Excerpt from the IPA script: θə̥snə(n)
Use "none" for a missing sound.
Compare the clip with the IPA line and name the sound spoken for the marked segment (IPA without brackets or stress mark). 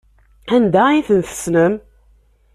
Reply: m